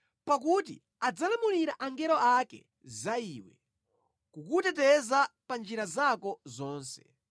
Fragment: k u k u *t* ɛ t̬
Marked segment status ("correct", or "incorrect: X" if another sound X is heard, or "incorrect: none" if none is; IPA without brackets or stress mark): correct